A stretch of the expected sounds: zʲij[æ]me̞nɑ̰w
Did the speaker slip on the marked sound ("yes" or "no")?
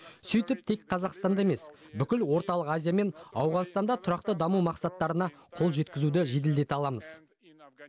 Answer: yes